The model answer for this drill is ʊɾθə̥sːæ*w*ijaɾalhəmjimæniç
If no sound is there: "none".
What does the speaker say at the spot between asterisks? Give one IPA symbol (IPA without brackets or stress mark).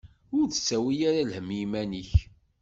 w